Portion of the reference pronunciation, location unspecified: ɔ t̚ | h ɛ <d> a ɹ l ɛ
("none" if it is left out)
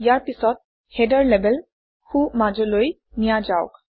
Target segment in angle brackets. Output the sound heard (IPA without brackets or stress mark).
d